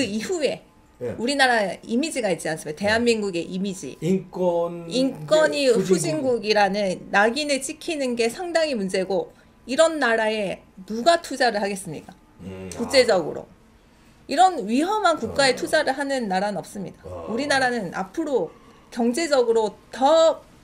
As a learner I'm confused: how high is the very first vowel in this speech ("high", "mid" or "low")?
high